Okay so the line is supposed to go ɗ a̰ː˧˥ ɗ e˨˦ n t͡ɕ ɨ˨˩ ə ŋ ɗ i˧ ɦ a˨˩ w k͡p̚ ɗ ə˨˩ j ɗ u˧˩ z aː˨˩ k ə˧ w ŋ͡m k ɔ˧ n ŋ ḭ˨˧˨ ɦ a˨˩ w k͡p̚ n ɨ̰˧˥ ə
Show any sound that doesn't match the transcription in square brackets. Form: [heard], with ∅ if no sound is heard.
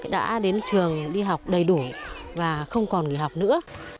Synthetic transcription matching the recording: ɗ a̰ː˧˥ ɗ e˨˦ n t͡ɕ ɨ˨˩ ə ŋ ɗ i˧ ɦ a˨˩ w k͡p̚ ɗ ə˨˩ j ɗ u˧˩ [v] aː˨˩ [x] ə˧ w ŋ͡m k [ɔ˨˩] n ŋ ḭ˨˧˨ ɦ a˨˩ w k͡p̚ n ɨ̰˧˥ ə